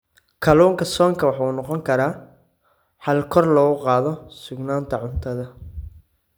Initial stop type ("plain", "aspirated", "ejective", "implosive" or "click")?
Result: aspirated